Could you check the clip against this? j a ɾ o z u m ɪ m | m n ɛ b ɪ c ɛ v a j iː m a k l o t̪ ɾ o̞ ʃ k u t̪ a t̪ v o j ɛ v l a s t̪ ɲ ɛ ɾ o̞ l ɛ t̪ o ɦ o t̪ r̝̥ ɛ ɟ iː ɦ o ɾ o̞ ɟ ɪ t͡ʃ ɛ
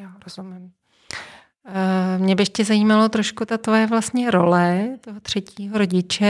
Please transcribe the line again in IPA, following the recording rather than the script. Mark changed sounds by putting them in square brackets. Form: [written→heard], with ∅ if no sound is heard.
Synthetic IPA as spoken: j a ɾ o z u m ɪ m | m [n→ɲ] ɛ b ɪ c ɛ [v→z] a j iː m a [k→∅] l o t̪ ɾ o̞ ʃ k u t̪ a t̪ v o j ɛ v l a s t̪ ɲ ɛ ɾ o̞ l ɛ t̪ o ɦ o t̪ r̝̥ ɛ [ɟ→c] iː ɦ o ɾ o̞ ɟ ɪ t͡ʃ ɛ